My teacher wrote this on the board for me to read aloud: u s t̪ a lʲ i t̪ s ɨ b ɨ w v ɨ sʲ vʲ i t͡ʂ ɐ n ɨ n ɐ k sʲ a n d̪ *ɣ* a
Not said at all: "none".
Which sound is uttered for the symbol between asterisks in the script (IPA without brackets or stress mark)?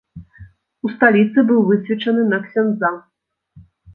z